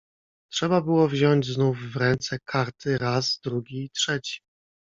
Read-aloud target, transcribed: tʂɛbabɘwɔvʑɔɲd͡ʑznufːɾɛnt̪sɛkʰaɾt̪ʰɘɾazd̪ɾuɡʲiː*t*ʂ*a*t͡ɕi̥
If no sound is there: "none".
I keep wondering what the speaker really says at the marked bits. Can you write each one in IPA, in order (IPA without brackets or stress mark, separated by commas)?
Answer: t, ɛ